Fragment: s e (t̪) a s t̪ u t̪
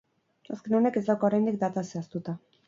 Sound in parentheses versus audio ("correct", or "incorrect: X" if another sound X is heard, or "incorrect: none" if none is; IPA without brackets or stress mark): incorrect: none